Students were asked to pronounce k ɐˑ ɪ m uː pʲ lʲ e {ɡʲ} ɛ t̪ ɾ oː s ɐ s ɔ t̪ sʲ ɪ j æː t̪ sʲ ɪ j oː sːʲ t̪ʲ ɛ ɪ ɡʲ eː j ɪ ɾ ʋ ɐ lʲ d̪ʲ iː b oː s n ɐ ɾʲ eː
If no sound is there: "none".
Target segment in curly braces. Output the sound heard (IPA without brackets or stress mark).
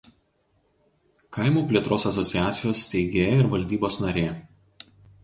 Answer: none